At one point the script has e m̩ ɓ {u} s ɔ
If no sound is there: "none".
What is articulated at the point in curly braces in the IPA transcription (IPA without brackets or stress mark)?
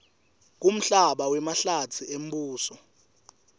uː